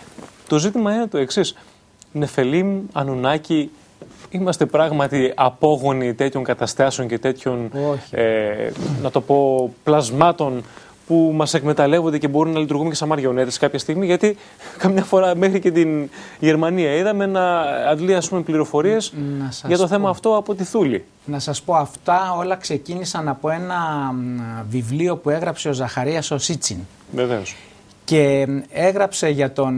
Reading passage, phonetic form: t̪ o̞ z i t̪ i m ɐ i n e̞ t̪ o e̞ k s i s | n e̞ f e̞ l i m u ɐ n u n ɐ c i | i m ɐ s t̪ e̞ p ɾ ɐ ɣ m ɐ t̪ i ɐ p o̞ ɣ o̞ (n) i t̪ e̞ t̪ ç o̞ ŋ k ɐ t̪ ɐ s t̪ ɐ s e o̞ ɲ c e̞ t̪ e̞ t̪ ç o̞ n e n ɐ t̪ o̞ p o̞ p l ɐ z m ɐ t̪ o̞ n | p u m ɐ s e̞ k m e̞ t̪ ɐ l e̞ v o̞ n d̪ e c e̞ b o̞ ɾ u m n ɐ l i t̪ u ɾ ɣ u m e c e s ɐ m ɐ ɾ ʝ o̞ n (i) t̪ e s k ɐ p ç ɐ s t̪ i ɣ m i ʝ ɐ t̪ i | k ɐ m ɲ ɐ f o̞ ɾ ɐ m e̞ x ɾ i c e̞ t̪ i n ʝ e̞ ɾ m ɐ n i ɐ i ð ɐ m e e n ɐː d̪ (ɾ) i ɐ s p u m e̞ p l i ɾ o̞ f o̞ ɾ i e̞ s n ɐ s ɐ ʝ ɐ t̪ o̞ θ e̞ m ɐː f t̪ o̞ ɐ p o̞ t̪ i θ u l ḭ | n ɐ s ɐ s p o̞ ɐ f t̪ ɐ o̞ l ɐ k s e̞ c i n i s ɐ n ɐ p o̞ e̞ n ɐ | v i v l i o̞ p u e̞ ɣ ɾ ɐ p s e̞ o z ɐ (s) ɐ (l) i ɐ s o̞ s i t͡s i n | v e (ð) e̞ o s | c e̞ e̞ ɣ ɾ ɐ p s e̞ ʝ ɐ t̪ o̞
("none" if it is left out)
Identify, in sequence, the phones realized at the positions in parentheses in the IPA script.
n, e, l, x, ɾ, v

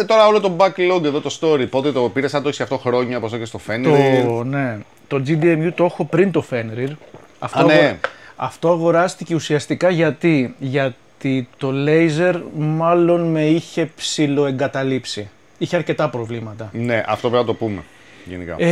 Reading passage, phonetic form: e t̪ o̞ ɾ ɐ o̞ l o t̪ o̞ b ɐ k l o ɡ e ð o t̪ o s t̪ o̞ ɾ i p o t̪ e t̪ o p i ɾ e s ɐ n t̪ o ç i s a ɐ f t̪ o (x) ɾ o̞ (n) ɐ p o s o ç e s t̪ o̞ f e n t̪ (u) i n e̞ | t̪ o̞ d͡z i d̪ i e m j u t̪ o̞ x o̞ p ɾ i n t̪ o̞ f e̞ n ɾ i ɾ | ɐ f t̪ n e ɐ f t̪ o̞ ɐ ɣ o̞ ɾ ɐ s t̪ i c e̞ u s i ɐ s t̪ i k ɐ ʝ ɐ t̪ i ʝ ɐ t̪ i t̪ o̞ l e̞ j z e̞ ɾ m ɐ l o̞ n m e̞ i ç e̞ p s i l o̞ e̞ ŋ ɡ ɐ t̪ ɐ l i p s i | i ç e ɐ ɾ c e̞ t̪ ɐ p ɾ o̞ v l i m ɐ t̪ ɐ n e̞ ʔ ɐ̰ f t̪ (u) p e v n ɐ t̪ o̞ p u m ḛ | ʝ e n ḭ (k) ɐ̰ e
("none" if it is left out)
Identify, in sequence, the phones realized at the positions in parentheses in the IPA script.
x, ɲ, o, o, k

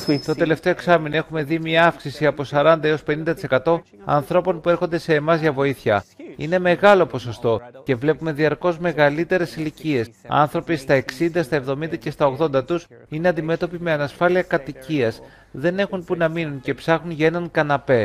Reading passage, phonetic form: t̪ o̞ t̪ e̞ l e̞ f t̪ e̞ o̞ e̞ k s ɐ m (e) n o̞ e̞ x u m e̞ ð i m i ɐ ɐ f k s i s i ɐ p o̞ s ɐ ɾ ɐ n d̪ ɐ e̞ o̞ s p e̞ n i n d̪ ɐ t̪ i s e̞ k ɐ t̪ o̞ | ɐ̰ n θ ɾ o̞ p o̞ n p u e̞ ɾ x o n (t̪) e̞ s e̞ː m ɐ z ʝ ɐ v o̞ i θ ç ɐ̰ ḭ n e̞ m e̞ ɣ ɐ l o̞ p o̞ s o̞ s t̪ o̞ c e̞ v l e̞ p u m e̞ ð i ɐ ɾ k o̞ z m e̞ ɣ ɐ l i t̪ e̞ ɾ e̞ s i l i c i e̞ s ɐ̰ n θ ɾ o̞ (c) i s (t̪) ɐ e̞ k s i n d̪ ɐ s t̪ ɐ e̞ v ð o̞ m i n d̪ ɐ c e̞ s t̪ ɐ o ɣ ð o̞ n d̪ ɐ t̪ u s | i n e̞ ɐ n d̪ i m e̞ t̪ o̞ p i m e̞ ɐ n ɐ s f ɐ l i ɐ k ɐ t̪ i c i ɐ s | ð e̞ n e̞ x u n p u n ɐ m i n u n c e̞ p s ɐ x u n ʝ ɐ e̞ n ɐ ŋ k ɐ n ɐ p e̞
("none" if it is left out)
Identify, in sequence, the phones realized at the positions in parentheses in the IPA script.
i, d̪, p, t̪

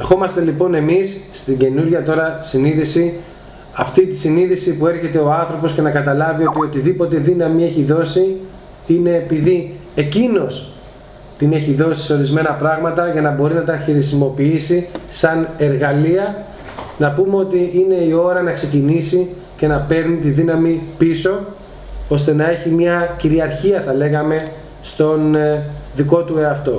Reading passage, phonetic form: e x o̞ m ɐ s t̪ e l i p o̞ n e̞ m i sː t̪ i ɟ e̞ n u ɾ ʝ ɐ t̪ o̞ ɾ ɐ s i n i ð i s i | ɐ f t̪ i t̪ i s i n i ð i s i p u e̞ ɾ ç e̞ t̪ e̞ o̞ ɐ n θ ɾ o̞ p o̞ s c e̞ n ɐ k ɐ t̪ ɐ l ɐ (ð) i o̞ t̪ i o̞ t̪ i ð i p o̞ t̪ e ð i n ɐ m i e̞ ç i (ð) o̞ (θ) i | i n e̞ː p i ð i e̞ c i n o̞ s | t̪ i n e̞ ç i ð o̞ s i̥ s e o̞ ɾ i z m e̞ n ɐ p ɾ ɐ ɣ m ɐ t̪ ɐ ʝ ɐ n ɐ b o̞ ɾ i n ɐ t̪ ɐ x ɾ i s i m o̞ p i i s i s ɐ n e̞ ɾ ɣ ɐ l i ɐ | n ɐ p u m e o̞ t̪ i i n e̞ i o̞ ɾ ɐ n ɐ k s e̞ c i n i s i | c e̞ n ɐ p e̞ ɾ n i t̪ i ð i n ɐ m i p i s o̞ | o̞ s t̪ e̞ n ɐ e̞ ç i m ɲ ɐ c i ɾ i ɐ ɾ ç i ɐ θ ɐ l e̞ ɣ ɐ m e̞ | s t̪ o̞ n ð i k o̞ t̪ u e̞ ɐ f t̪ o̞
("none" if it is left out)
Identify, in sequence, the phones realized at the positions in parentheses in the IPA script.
v, ð, s

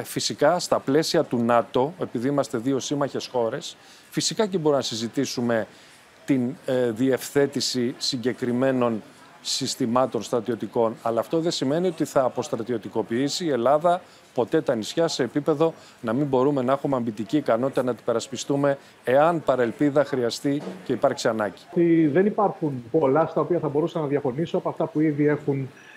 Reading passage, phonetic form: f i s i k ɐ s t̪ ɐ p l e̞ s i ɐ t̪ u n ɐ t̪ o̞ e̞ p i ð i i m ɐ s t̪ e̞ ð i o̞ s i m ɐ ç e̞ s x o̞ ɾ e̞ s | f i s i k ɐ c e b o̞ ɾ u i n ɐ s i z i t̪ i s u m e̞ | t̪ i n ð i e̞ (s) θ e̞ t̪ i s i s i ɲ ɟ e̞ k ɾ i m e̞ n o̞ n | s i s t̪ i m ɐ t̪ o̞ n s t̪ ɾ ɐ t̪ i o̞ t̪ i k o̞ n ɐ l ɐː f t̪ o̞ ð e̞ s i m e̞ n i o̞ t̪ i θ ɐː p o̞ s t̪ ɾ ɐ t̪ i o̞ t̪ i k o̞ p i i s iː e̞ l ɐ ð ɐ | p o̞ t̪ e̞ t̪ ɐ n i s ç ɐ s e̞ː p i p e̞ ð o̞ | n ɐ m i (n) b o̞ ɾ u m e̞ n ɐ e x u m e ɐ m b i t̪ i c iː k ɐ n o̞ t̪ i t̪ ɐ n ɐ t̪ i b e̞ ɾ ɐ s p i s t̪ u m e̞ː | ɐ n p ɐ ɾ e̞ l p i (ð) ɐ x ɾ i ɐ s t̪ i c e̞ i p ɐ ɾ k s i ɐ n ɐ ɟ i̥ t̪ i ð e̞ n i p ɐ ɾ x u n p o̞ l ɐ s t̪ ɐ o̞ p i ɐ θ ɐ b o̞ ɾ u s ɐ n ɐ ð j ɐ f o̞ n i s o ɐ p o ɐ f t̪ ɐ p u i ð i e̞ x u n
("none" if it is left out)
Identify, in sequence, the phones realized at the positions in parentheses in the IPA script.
f, m, ð

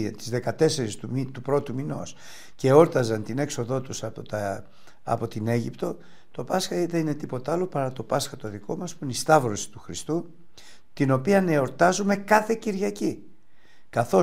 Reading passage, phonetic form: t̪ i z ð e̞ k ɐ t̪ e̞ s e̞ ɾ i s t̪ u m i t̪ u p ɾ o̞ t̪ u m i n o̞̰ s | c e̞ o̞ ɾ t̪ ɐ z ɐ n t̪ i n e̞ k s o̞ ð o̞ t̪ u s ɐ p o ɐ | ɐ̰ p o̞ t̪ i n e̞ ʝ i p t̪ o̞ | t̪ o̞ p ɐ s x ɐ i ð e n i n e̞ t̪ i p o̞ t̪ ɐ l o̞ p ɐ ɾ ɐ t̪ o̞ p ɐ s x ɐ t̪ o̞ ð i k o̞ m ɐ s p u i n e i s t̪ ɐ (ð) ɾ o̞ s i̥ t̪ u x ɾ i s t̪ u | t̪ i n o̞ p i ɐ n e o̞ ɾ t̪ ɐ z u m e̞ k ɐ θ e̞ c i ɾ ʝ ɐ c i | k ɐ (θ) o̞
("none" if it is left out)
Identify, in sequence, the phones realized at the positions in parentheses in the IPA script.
v, θ

